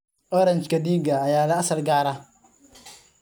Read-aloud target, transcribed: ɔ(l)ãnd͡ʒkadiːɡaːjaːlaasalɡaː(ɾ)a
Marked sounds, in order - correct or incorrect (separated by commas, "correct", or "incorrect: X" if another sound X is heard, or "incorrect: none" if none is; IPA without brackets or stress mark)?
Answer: incorrect: ɾ, correct